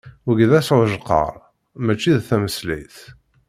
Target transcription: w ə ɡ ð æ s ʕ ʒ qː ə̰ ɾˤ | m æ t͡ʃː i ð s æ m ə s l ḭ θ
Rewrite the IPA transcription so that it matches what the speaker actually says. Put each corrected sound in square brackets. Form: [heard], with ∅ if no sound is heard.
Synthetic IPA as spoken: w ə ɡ ð æ s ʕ ʒ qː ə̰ ɾˤ | m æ t͡ʃː i ð [θ] æ m ə s l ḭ θ